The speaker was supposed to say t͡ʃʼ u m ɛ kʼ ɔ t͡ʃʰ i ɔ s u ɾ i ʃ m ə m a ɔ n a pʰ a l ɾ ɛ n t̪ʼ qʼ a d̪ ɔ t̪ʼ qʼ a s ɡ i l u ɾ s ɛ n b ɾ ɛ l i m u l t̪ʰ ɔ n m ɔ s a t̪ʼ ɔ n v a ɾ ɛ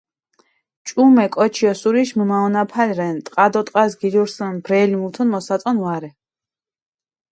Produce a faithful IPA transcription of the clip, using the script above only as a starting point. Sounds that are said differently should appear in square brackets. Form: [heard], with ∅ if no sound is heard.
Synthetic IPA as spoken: t͡ʃʼ u m ɛ kʼ ɔ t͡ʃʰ i ɔ s u ɾ i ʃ m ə m a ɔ n a pʰ a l ɾ ɛ n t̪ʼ qʼ a d̪ ɔ t̪ʼ qʼ a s ɡ i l u ɾ s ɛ n b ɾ ɛ l i m u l t̪ʰ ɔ n m ɔ s a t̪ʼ ɔ n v a ɾ ɛ